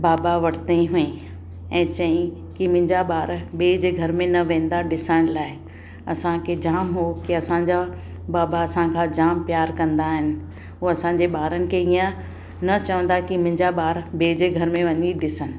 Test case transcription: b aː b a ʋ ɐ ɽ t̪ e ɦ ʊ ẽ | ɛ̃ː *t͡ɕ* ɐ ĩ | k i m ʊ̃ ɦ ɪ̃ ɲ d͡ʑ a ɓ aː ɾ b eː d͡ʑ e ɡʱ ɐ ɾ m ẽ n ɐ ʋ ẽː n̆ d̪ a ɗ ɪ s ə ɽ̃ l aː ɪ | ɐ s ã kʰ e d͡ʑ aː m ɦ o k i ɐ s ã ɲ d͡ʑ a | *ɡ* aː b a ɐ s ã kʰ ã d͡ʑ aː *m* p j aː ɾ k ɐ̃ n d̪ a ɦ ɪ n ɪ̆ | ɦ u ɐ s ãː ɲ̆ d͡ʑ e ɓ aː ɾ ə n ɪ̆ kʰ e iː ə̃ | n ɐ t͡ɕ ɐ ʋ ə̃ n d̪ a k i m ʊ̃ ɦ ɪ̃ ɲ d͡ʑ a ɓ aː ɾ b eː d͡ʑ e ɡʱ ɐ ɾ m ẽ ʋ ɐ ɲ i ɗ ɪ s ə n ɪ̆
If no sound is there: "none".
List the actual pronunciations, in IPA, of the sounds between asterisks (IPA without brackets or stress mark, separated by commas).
t͡ɕ, b, m